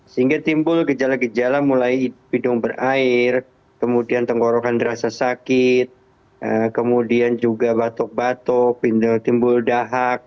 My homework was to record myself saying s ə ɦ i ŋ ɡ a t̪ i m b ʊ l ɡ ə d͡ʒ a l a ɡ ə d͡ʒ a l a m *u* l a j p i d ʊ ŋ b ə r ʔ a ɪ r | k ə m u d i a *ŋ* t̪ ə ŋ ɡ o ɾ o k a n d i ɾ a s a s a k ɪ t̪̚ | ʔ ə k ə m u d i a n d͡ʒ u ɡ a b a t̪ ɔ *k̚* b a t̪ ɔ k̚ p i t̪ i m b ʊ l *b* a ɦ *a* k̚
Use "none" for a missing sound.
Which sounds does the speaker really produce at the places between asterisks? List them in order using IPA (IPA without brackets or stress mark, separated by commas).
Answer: u, n, k̚, d, a